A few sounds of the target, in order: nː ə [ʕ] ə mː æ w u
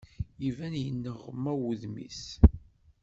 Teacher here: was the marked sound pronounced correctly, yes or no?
no